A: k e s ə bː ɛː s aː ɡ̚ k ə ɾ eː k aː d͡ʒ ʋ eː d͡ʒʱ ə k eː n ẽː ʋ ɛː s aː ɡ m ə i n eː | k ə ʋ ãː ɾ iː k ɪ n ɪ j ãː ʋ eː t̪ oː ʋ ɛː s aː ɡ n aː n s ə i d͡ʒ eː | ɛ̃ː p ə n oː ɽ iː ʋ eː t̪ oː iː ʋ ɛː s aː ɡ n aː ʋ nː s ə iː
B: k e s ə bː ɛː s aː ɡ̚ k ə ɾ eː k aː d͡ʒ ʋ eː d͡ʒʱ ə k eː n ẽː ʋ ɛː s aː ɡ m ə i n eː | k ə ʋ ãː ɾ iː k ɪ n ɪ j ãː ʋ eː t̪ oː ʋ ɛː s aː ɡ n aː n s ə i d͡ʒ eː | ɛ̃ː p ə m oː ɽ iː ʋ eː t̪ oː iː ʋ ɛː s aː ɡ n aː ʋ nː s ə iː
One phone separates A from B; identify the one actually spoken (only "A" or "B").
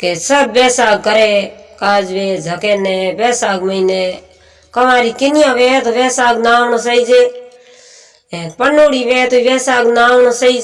A